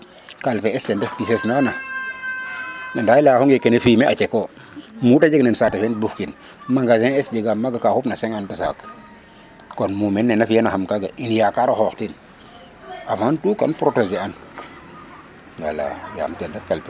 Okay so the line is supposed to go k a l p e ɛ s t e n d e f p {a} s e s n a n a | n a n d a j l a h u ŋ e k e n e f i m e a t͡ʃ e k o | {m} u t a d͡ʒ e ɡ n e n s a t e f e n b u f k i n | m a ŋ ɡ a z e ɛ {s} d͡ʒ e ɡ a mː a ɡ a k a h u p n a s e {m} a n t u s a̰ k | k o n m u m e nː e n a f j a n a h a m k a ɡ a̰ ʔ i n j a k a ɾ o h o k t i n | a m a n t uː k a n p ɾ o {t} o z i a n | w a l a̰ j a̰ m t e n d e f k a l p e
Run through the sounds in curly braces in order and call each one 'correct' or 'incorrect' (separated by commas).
incorrect, correct, correct, incorrect, correct